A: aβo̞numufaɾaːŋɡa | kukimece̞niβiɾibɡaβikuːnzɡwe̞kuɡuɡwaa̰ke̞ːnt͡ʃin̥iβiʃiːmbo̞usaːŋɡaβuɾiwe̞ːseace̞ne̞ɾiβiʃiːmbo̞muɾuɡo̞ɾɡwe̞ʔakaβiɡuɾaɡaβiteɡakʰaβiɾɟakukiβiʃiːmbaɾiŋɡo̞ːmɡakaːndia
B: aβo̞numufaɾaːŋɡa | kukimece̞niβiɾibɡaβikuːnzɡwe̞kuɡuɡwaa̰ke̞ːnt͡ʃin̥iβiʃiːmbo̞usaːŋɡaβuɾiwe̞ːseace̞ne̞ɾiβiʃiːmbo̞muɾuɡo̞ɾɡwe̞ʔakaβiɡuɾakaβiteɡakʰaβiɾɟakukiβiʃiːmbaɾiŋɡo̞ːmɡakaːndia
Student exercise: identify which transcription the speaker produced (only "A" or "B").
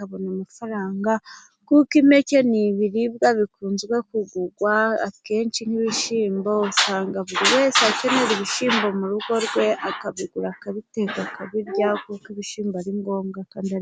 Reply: B